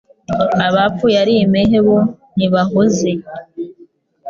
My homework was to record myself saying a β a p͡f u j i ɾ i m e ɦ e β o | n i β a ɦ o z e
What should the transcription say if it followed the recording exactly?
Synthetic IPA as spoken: a β a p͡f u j a ɾ i m e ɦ e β o | n i β a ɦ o z e